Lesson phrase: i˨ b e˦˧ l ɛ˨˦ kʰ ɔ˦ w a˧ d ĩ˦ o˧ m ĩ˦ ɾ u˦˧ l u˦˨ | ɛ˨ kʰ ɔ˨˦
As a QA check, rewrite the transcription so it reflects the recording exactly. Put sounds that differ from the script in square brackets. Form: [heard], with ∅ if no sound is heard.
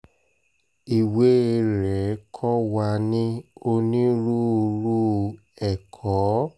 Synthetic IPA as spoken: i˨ [w] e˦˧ [ɾ] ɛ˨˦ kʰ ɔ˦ w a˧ [n] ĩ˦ o˧ [n] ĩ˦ ɾ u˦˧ [ɾ] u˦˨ | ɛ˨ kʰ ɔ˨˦